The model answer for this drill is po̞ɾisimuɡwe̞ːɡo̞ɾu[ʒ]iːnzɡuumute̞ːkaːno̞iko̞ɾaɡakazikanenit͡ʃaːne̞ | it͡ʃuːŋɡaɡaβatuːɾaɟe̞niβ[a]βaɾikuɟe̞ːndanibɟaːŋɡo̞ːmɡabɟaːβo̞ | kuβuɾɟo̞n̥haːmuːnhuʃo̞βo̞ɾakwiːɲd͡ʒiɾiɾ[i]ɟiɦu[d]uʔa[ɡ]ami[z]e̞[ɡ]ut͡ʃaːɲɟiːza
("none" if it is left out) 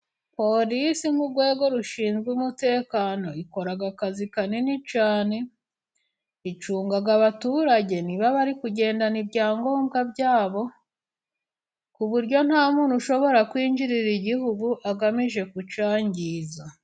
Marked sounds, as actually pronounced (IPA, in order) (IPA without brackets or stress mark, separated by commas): ʃ, a, i, ɡ, ɡ, ʒ, k